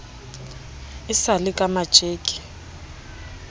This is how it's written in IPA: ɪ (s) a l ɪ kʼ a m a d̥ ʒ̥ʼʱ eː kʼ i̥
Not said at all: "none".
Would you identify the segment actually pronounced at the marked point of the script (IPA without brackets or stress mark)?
s